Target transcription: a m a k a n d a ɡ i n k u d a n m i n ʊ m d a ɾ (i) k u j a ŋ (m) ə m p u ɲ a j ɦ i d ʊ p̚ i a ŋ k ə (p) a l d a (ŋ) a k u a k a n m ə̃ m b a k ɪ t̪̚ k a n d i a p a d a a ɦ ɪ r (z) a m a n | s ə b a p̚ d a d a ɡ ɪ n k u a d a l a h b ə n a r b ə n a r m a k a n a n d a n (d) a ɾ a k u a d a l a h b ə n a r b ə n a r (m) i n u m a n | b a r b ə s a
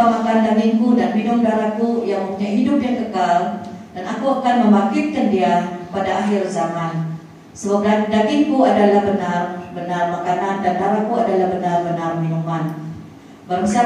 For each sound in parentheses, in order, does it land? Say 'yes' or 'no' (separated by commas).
no, yes, no, no, yes, yes, yes